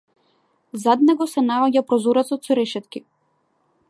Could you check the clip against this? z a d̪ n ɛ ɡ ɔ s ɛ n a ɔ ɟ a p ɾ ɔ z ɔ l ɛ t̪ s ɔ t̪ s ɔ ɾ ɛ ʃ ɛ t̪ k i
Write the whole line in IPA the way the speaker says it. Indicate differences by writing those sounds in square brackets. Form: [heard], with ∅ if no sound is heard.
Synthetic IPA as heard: z a d̪ n ɛ ɡ ɔ s ɛ n a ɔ ɟ a p ɾ ɔ z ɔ [ɾ] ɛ t̪ s ɔ t̪ s ɔ ɾ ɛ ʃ ɛ t̪ k i